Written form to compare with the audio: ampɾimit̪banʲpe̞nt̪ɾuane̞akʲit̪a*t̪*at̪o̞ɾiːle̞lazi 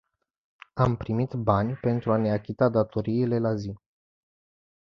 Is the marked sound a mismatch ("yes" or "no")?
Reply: yes